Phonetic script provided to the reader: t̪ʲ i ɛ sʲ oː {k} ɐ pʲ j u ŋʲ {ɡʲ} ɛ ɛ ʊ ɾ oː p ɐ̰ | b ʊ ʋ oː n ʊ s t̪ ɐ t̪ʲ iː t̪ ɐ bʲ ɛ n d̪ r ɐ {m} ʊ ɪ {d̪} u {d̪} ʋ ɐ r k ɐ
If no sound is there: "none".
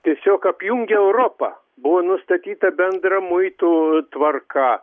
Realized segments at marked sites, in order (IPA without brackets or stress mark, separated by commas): k, ɡʲ, m, t̪, t̪